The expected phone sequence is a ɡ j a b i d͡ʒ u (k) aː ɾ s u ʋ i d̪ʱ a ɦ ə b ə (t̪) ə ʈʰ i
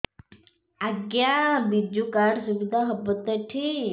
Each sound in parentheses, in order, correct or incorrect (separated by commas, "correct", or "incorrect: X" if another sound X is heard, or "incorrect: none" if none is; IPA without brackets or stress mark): correct, correct